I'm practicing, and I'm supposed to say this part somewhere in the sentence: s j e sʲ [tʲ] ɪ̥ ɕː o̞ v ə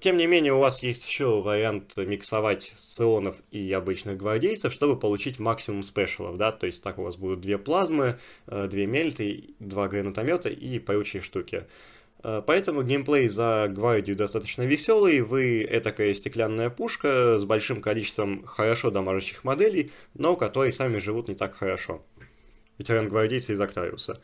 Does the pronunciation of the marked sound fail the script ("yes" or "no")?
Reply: no